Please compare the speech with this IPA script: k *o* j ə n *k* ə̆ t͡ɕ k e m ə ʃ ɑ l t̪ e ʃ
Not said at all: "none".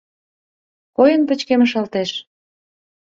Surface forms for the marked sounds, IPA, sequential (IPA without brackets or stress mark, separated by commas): o, p